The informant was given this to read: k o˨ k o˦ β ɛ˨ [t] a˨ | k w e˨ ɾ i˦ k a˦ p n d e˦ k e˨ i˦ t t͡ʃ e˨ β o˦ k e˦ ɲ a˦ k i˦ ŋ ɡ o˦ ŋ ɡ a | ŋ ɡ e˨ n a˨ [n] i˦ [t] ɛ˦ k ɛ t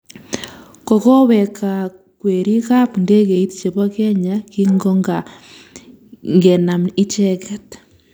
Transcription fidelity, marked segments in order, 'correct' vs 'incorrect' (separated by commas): incorrect, incorrect, incorrect